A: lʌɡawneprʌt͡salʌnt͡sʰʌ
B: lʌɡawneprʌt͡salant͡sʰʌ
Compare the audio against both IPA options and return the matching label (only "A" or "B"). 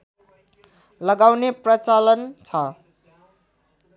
A